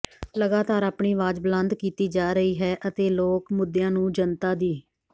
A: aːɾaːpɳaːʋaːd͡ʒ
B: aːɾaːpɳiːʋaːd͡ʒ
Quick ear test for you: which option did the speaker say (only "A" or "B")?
B